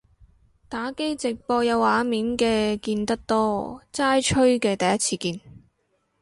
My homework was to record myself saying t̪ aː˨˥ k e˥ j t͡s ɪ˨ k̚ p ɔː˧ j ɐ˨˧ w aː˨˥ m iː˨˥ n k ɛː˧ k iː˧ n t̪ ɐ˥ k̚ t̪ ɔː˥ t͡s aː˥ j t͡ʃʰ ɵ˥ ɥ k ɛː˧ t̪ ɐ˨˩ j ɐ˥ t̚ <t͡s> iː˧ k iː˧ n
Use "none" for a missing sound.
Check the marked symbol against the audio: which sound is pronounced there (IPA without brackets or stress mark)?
t͡sʰ